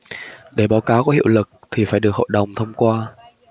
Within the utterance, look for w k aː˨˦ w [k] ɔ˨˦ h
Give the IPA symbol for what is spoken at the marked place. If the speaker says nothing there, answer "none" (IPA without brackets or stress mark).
k